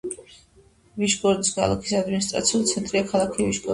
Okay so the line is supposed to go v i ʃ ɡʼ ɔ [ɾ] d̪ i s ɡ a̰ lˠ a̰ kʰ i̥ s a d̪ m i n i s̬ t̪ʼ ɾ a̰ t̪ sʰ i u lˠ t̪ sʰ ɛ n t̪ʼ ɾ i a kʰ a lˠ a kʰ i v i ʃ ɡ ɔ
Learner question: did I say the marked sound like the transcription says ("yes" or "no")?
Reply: yes